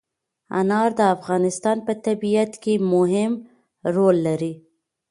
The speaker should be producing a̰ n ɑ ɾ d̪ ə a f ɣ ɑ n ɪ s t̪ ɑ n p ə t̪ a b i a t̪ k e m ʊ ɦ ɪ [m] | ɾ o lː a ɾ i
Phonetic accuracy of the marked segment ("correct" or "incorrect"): correct